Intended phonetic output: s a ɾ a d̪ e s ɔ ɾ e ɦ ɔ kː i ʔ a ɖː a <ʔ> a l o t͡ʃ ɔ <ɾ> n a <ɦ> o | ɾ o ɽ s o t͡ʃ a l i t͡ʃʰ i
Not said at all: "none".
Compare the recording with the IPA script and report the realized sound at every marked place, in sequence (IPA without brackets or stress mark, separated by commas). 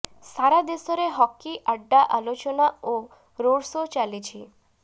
ʔ, none, none